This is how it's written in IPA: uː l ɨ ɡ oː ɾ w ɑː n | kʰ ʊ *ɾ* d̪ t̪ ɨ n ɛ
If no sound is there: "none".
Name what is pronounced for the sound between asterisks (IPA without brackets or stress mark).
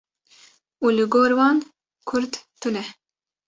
ɾ